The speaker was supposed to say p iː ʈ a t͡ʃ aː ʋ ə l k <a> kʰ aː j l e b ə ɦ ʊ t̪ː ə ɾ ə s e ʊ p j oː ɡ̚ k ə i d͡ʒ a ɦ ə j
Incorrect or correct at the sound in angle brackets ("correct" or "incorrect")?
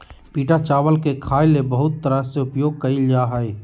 incorrect